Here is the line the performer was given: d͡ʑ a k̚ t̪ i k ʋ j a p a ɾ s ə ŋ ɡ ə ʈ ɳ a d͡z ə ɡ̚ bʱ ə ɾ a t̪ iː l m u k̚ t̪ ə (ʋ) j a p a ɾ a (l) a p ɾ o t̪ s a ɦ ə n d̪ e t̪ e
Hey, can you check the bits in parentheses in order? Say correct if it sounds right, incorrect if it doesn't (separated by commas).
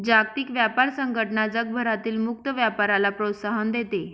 correct, correct